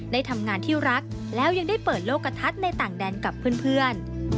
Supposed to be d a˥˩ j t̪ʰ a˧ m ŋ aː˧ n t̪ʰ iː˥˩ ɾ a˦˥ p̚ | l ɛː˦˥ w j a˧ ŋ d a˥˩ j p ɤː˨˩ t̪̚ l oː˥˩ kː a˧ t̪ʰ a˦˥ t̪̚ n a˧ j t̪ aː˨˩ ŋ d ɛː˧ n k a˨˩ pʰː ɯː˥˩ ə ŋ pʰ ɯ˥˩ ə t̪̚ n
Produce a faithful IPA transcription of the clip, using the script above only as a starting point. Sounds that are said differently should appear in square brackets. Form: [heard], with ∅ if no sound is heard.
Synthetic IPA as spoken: d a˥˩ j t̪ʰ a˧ m ŋ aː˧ n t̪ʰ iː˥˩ ɾ a˦˥ [k̚] | l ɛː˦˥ w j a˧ ŋ d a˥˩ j p ɤː˨˩ t̪̚ l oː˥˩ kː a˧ t̪ʰ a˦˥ t̪̚ n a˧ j t̪ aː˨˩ ŋ d ɛː˧ n k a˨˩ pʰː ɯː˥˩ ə [n] pʰ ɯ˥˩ ə [∅] n